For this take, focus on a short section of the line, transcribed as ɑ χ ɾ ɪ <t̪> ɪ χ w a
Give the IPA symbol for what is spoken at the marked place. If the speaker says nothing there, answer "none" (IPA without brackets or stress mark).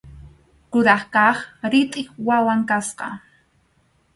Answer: t̪ʼ